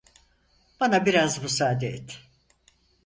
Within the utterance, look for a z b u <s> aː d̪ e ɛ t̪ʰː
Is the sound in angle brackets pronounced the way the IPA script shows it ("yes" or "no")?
yes